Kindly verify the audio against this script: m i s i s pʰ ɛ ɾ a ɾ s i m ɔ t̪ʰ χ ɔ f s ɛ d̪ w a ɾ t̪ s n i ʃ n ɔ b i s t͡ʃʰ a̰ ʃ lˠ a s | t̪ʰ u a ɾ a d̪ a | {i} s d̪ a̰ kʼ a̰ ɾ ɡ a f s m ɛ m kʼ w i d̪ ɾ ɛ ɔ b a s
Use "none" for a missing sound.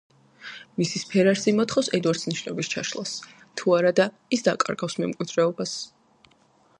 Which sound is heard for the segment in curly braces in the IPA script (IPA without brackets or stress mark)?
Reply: i